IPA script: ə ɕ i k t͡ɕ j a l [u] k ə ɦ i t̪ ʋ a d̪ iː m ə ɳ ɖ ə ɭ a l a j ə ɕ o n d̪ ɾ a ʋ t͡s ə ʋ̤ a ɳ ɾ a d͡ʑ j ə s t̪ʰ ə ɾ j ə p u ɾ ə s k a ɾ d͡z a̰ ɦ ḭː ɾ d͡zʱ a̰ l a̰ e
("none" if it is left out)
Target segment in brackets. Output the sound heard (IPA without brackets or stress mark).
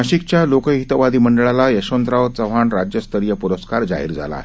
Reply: o